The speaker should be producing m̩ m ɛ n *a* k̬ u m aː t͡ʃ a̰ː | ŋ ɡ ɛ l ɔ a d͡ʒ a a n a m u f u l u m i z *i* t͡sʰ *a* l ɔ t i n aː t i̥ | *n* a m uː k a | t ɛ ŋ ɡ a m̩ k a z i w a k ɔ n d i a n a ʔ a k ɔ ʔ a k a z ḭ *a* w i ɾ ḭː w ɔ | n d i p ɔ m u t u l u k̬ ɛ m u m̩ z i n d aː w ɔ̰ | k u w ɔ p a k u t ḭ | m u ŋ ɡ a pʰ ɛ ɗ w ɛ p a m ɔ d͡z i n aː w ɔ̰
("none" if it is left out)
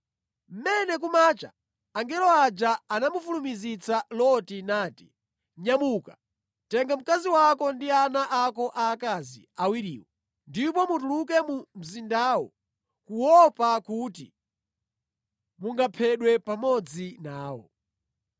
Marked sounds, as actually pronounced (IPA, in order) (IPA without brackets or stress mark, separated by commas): ɛ, i, a, ɲ, a